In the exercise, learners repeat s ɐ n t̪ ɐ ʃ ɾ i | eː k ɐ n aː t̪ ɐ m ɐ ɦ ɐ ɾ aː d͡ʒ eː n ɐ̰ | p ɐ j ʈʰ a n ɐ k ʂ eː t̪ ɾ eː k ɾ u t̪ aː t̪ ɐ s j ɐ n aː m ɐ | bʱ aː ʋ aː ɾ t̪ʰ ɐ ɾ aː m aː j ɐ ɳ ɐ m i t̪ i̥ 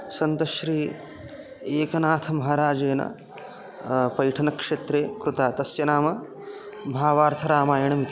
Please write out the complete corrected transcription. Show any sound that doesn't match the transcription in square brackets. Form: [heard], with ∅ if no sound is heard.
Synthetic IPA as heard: s ɐ n t̪ ɐ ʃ ɾ [iː] | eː k ɐ n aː [t̪ʰ] ɐ m ɐ ɦ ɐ ɾ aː d͡ʒ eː n ɐ̰ | p ɐ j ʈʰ [ɐ] n ɐ k ʂ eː t̪ ɾ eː k ɾ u t̪ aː t̪ ɐ s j ɐ n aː m ɐ | bʱ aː ʋ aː ɾ t̪ʰ ɐ ɾ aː m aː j ɐ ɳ ɐ m i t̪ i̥